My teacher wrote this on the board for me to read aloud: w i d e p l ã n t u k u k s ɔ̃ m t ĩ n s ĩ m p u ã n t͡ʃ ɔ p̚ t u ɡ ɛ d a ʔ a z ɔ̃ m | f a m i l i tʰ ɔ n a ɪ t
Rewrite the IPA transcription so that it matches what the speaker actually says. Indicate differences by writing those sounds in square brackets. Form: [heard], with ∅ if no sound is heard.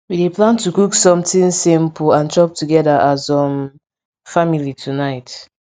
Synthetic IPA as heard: w i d e p l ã n t u k u k s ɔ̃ m t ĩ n s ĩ m p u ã n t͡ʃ ɔ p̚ t u ɡ ɛ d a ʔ a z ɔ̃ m | f a m i l i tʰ [u] n a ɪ t